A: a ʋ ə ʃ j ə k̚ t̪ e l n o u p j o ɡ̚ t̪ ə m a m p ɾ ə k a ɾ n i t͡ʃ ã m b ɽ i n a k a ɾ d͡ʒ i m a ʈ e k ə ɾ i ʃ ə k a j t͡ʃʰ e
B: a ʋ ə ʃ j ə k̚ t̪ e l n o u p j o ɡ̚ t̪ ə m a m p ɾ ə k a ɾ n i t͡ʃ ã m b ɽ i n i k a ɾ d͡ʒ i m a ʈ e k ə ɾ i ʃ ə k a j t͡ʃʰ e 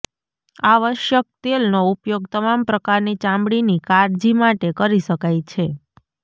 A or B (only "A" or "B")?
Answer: B